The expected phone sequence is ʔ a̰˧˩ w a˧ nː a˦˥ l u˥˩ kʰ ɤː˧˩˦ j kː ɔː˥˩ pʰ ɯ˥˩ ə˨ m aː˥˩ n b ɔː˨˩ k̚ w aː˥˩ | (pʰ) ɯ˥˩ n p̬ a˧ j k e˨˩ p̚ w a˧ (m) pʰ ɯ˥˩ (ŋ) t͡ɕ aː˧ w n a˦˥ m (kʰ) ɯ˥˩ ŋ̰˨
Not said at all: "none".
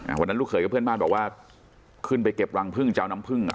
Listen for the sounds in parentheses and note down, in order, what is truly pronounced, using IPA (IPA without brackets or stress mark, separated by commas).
kʰ, ŋ, ŋ, pʰ